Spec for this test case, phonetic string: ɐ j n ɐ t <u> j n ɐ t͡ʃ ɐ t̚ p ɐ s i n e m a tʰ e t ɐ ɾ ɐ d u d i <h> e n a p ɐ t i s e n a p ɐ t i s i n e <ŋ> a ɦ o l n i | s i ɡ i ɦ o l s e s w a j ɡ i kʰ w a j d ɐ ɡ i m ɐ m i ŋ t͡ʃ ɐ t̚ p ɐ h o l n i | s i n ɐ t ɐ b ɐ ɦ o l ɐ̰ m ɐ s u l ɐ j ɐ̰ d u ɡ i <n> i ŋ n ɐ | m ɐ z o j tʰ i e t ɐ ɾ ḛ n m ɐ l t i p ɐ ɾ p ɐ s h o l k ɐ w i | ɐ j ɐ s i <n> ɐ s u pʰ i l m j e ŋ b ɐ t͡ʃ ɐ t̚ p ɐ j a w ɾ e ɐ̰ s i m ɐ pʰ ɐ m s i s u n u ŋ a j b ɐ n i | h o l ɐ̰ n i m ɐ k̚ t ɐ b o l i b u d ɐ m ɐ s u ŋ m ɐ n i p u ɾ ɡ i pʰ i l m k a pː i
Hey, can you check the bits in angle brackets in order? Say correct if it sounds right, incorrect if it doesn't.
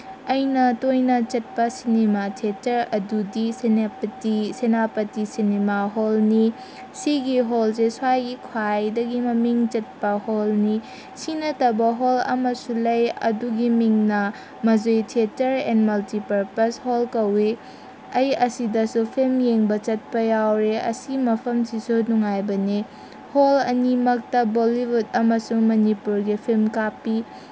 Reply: incorrect: o, incorrect: s, incorrect: m, incorrect: m, incorrect: d

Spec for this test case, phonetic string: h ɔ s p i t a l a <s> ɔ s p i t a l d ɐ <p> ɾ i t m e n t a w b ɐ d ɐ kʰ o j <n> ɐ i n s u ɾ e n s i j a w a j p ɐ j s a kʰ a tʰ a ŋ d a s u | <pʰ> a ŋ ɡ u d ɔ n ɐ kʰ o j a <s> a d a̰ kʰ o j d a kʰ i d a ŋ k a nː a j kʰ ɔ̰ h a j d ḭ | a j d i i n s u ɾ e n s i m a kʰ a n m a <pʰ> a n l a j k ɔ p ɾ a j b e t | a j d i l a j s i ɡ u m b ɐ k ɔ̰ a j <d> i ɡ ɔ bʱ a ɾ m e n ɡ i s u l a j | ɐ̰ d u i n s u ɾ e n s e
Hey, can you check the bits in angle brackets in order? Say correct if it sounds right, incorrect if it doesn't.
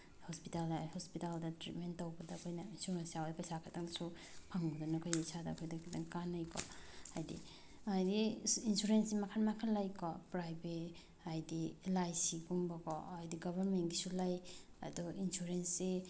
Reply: incorrect: h, incorrect: t, correct, correct, correct, incorrect: kʰ, correct

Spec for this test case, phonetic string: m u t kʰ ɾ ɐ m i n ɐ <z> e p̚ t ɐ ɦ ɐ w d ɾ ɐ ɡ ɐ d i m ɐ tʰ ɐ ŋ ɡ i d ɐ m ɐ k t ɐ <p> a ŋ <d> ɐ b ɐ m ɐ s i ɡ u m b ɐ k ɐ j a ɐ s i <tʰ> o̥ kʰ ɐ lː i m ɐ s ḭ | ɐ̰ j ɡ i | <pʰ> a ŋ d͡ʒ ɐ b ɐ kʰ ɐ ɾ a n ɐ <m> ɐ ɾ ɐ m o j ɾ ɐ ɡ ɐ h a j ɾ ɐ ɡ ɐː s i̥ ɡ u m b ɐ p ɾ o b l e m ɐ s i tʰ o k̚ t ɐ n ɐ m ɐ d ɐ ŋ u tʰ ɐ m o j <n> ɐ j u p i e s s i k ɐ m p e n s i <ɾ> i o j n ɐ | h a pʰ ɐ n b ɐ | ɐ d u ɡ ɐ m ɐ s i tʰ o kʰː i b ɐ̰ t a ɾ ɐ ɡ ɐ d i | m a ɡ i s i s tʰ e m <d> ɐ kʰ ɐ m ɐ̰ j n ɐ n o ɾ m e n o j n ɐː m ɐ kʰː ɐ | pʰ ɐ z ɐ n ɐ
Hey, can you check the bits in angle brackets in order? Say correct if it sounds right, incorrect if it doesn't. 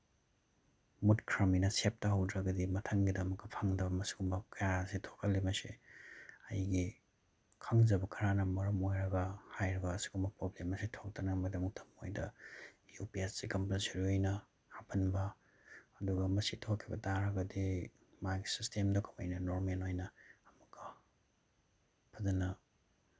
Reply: incorrect: s, incorrect: pʰ, correct, correct, incorrect: kʰ, correct, incorrect: d, correct, correct

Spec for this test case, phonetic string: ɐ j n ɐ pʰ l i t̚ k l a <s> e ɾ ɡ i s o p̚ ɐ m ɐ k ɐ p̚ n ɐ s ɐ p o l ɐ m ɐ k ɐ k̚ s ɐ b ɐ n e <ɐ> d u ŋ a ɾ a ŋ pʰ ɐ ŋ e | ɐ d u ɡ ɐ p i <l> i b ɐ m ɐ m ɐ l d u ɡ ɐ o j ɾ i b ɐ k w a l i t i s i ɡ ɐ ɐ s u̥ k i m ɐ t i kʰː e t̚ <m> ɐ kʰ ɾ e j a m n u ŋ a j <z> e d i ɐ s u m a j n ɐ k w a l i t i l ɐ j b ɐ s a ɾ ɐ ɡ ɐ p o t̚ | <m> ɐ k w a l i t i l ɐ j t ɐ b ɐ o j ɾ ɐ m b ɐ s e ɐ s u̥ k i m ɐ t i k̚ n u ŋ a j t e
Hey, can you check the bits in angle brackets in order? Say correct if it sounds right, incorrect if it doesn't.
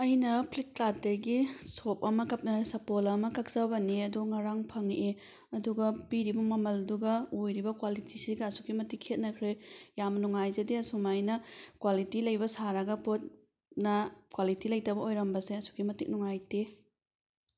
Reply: incorrect: t, correct, incorrect: ɾ, incorrect: n, correct, incorrect: n

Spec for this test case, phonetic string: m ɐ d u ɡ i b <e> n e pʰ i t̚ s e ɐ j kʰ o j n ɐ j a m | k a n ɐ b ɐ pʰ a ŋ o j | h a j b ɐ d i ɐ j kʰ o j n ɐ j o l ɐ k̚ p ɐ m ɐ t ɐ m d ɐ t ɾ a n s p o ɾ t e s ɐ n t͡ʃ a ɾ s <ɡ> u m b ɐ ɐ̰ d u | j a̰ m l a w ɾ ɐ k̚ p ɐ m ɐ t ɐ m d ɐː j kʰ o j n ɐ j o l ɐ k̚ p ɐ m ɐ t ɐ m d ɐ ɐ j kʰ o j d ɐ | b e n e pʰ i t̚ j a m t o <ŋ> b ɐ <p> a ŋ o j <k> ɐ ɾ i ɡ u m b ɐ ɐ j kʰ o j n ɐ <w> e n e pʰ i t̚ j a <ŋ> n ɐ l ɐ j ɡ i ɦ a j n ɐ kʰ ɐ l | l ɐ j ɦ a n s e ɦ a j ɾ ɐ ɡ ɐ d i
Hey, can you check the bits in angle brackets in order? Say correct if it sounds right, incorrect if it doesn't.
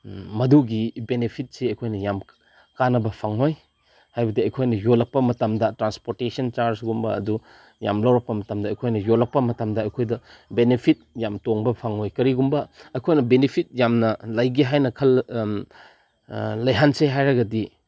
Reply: correct, correct, correct, incorrect: pʰ, correct, incorrect: b, incorrect: m

